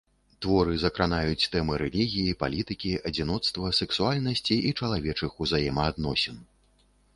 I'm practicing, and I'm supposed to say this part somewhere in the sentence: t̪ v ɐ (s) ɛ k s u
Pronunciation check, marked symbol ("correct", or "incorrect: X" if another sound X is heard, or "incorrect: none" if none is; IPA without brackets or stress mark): correct